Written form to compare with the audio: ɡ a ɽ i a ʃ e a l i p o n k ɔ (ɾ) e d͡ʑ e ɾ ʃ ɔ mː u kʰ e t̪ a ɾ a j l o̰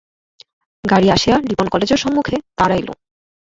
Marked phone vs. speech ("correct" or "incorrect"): incorrect